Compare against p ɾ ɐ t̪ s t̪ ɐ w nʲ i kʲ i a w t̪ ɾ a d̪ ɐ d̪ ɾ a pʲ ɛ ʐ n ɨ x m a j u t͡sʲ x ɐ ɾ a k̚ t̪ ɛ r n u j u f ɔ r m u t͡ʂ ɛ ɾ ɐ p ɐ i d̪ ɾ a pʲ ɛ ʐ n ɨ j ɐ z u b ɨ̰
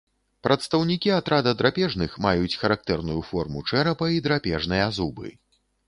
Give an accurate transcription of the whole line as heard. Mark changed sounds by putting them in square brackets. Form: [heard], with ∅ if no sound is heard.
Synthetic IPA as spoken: p ɾ ɐ t̪ s t̪ ɐ w nʲ i kʲ i a [∅] t̪ ɾ a d̪ ɐ d̪ ɾ a pʲ ɛ ʐ n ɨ x m a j u t͡sʲ x ɐ ɾ a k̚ t̪ ɛ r n u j u f ɔ r m u t͡ʂ ɛ ɾ ɐ p ɐ i d̪ ɾ a pʲ ɛ ʐ n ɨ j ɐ z u b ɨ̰